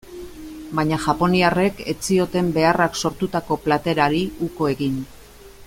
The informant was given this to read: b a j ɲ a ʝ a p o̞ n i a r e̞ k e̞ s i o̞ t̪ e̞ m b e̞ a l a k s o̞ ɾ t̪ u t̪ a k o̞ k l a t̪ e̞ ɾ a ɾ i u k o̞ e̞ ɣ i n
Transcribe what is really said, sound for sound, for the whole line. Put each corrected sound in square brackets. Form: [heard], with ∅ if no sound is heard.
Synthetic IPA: b a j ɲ a ʝ a p o̞ n i a r e̞ k e̞ [t͡s] i o̞ t̪ e̞ m b e̞ a [r] a k s o̞ ɾ t̪ u t̪ a k o̞ [p] l a t̪ e̞ ɾ a ɾ i u k o̞ e̞ ɣ i n